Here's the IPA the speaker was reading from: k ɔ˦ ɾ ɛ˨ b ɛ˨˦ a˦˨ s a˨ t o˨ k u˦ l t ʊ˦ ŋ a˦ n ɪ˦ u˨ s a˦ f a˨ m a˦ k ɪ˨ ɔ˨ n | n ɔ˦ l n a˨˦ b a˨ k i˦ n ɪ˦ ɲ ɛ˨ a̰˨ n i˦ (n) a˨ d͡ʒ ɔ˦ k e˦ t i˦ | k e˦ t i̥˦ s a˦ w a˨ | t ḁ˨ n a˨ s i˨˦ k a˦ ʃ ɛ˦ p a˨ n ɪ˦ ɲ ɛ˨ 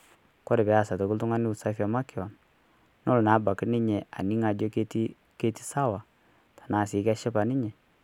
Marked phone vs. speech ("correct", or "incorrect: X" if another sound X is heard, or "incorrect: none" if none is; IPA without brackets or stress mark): incorrect: ŋ